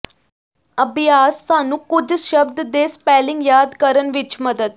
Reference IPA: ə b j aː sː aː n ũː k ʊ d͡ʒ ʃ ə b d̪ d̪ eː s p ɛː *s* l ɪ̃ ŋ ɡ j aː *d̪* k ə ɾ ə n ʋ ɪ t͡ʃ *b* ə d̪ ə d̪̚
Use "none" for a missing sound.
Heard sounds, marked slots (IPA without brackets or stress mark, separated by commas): none, d̪, m